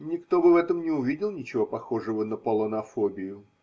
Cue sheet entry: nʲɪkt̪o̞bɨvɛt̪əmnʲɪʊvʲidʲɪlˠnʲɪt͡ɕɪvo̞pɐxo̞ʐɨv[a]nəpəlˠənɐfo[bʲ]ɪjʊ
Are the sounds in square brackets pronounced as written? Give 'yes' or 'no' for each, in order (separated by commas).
no, yes